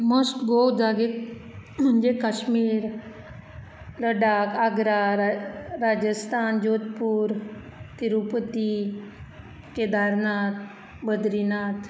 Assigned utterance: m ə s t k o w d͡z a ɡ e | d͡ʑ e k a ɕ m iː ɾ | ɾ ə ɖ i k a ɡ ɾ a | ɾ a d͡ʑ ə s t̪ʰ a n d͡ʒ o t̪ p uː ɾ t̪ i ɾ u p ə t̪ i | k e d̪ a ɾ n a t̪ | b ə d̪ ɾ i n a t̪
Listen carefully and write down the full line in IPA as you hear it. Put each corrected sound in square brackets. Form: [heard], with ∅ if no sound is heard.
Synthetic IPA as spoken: m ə s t [ɡ] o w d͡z a ɡ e | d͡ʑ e k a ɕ m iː ɾ | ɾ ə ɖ [a] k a ɡ ɾ a | ɾ a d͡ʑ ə s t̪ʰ a n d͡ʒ o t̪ p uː ɾ t̪ i ɾ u p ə t̪ i | k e d̪ a ɾ n a t̪ | b ə d̪ ɾ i n a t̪